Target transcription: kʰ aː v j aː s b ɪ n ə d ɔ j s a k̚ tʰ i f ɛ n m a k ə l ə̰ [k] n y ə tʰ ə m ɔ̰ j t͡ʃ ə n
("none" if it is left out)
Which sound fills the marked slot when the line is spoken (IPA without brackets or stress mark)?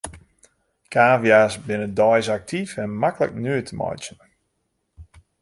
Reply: k